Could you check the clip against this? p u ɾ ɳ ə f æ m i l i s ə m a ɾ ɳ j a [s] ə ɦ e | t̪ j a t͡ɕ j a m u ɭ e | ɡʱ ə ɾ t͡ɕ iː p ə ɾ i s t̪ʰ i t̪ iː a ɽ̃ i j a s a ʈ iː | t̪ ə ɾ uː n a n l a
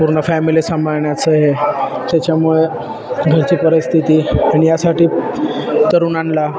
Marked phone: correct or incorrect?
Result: incorrect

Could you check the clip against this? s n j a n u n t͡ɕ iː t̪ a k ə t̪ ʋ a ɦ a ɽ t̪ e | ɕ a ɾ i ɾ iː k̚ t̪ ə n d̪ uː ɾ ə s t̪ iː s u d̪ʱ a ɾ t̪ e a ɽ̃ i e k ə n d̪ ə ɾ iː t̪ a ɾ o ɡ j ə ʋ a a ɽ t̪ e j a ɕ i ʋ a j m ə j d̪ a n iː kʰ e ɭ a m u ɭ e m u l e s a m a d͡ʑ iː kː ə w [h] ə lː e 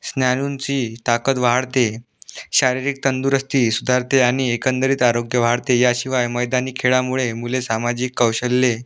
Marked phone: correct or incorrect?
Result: incorrect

